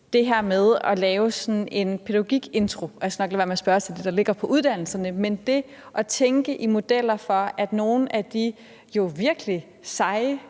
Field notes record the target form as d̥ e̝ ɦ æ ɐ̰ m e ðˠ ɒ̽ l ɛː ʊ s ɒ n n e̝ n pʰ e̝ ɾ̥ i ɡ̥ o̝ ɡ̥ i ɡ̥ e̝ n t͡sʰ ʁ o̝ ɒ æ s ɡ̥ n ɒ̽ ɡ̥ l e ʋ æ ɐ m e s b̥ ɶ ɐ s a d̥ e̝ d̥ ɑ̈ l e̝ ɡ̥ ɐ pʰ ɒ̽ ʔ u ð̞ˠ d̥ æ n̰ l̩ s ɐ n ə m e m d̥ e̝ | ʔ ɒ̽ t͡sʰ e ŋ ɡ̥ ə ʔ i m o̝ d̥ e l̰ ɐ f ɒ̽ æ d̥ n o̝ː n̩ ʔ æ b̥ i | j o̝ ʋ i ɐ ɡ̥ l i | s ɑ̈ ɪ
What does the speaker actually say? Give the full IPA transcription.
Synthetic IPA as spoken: d̥ e̝ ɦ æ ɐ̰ m e ðˠ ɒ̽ l ɛː ʊ s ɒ n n e̝ n pʰ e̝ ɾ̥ æ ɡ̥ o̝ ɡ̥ i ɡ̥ e̝ n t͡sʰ ʁ o̝ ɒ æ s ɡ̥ n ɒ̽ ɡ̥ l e ʋ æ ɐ m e s b̥ ɶ ɐ s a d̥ e̝ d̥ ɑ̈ l e̝ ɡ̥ ɐ pʰ ɒ̽ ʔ u ð̞ˠ d̥ æ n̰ l̩ s ɐ n ə m e n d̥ e̝ | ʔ ɒ̽ t͡sʰ e ŋ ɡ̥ ə ʔ i m o̝ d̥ e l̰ ɐ f ɒ̽ æ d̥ n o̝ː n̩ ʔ æ d̥ i | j o̝ ʋ i ɐ ɡ̥ l i | s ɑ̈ ɪ